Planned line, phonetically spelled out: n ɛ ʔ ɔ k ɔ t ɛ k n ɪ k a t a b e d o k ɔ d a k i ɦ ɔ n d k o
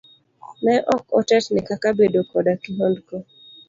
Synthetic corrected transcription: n ɛ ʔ ɔ k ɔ t ɛ t n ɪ k a k a b e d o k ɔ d a k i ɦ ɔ n d k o